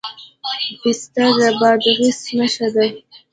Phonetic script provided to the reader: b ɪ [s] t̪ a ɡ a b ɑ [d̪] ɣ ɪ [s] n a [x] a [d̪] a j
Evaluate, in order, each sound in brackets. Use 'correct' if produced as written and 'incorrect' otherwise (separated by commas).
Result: correct, correct, correct, incorrect, correct